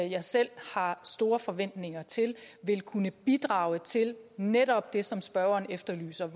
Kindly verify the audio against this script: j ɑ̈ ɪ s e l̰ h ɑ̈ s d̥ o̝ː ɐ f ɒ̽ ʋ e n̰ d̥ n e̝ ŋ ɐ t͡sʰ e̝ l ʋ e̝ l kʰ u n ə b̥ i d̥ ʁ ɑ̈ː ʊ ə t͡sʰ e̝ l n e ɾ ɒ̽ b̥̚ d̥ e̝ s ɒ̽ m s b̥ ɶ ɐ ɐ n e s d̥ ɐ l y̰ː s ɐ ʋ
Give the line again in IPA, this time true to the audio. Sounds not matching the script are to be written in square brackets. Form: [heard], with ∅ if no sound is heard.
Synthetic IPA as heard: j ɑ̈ ɪ s e l̰ h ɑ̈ s d̥ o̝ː ɐ f ɒ̽ ʋ e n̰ d̥ n e̝ ŋ ɐ t͡sʰ e̝ l ʋ e̝ l kʰ u n ə b̥ i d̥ ʁ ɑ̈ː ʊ ə t͡sʰ e̝ l n e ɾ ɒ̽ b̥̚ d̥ e̝ s ɒ̽ m s b̥ ɶ ɐ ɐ n e [f] d̥ ɐ l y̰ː s ɐ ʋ

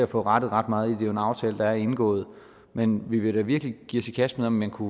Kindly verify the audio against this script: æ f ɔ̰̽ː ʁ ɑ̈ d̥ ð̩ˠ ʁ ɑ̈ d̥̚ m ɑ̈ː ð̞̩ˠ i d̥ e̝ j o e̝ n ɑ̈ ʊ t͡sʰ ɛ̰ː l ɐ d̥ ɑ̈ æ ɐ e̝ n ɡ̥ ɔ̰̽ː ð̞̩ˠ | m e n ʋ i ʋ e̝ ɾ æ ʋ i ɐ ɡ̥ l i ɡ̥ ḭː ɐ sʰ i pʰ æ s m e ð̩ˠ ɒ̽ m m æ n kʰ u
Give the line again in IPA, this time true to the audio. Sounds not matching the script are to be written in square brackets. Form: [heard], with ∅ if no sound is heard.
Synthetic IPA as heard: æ f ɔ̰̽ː ʁ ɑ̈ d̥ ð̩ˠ ʁ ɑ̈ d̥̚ m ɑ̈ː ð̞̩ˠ i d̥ e̝ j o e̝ n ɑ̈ ʊ t͡sʰ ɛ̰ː l [ə] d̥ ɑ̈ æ ɐ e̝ n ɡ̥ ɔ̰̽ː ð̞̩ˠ | m e n ʋ i ʋ e̝ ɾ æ ʋ i ɐ ɡ̥ l i ɡ̥ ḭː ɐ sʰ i [kʰ] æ s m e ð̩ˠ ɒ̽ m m æ n kʰ u

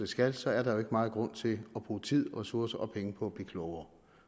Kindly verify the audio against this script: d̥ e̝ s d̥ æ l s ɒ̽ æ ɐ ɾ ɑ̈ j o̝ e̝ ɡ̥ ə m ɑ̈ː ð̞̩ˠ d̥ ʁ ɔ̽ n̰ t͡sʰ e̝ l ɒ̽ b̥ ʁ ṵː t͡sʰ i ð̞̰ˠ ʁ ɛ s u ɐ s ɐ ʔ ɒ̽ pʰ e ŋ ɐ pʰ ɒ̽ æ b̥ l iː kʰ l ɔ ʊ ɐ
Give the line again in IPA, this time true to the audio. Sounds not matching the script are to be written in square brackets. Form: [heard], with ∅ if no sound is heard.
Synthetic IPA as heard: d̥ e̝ s [ɡ̥] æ l s ɒ̽ æ ɐ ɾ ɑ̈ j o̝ e̝ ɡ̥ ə m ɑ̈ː ð̞̩ˠ [ɡ̥] ʁ ɔ̽ n̰ t͡sʰ e̝ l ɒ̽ b̥ ʁ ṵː t͡sʰ i ð̞̰ˠ ʁ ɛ s u ɐ s ɐ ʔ ɒ̽ pʰ e ŋ [ə] pʰ ɒ̽ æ b̥ l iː kʰ l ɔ ʊ ɐ

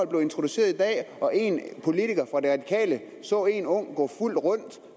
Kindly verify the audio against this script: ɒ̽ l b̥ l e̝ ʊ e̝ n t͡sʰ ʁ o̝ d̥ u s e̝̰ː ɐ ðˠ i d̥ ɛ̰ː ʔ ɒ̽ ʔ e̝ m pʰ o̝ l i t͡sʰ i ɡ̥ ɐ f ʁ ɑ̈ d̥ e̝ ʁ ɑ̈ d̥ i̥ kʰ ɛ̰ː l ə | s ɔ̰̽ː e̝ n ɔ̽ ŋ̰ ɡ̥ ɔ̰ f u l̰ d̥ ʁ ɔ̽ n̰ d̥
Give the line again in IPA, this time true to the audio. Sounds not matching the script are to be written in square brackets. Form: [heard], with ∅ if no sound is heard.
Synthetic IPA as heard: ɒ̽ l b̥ l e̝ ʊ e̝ n t͡sʰ ʁ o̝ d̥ u s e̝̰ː ɐ ðˠ i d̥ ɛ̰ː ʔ ɒ̽ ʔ e̝ [n] pʰ o̝ l i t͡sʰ i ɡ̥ ɐ f ʁ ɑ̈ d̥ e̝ ʁ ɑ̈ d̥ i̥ kʰ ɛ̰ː l ə | s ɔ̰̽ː e̝ n ɔ̽ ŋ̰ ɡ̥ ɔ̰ f u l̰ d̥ ʁ ɔ̽ n̰ d̥

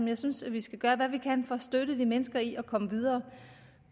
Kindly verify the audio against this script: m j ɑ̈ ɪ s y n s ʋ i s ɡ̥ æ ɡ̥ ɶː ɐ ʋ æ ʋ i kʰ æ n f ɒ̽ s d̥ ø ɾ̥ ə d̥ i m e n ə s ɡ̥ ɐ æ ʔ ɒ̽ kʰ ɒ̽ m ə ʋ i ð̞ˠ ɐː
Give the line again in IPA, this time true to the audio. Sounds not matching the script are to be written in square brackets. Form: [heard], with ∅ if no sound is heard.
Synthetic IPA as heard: m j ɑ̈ ɪ s y n s ʋ i s ɡ̥ æ ɡ̥ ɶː ɐ ʋ æ ʋ i kʰ æ n f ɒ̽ s d̥ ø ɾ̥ ə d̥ i m e n ə s ɡ̥ ɐ [i] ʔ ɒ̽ kʰ ɒ̽ m ə ʋ i ð̞ˠ ɐː

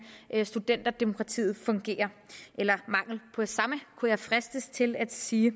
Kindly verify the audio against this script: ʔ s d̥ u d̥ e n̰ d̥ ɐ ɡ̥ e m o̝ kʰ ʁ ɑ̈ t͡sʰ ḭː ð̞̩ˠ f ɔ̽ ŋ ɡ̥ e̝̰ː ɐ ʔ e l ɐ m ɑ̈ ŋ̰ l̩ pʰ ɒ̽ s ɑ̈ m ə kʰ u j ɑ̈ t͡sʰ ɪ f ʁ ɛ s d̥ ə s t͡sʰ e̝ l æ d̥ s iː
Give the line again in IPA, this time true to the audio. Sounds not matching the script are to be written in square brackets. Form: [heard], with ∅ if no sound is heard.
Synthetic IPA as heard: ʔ s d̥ u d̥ e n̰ d̥ ɐ [d̥] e m o̝ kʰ ʁ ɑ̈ t͡sʰ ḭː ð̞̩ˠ f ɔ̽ ŋ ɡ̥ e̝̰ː ɐ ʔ e l ɐ m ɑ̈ ŋ̰ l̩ pʰ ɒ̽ s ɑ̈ m ə kʰ u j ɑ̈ [∅] ɪ f ʁ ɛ s d̥ ə s t͡sʰ e̝ l æ d̥ s iː

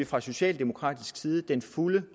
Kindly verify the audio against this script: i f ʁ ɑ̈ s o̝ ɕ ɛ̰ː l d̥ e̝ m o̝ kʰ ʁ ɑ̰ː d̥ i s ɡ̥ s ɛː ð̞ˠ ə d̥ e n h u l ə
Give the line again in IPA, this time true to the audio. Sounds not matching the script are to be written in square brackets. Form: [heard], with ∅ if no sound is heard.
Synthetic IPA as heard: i f ʁ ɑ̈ s o̝ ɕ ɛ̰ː l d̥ e̝ m o̝ kʰ ʁ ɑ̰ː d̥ i s ɡ̥ s [iː] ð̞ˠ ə d̥ e n [f] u l ə

